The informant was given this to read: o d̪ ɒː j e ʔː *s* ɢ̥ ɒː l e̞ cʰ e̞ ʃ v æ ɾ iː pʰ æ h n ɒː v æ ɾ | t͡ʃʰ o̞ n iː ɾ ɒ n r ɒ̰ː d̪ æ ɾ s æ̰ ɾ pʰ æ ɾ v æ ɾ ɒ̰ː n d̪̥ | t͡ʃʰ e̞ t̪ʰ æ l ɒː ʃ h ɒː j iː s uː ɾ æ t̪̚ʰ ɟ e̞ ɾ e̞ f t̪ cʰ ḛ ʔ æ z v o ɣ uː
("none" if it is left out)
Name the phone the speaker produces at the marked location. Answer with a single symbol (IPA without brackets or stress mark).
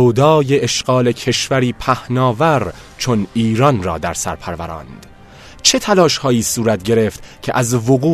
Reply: ʃ